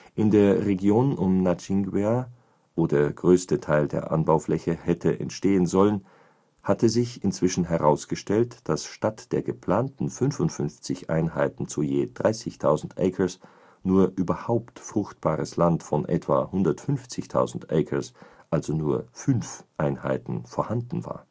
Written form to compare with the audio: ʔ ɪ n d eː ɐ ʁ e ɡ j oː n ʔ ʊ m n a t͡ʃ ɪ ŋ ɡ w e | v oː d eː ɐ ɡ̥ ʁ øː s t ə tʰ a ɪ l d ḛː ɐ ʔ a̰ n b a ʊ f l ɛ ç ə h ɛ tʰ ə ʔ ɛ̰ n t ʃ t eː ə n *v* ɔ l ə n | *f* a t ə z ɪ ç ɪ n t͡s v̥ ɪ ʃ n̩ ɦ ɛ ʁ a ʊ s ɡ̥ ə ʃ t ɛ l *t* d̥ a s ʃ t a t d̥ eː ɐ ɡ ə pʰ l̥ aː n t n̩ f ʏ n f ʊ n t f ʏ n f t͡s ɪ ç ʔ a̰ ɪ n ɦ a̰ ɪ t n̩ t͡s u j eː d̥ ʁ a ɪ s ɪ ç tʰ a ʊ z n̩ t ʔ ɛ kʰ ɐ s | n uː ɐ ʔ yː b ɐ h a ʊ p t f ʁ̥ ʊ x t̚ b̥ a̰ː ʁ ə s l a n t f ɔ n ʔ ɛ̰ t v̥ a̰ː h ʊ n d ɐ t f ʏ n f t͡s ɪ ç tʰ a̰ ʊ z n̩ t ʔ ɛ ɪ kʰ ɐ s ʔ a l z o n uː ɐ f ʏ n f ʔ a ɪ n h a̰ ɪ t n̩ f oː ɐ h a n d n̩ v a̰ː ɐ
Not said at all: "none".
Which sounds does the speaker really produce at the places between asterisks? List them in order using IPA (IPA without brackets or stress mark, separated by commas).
z, h, t